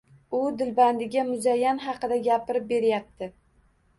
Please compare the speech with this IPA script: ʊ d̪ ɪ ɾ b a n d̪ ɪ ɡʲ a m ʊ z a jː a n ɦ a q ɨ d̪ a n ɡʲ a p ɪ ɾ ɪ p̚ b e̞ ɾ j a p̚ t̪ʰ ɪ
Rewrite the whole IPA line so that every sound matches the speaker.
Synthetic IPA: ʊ d̪ ɪ l b a n d̪ ɪ ɡʲ a m ʊ z a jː a n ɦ ɑ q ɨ d̪ a ɡʲ a p ɪ ɾ ɪ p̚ b e̞ ɾ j a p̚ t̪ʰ ɪ